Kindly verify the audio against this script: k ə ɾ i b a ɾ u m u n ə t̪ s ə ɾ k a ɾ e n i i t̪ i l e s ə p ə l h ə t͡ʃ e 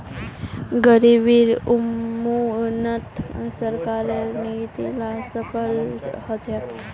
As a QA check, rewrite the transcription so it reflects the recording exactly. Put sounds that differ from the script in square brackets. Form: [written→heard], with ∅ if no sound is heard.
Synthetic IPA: [k→ɡ] ə ɾ i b [a→i] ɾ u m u n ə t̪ s ə ɾ k a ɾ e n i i t̪ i l [e→a] s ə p ə l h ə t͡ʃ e